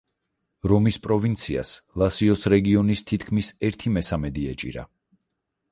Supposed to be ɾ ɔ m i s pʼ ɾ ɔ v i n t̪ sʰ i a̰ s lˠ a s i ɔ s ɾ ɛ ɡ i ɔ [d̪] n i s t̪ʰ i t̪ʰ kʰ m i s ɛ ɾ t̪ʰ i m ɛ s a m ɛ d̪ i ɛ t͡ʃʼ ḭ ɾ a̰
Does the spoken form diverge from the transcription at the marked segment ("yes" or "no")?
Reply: yes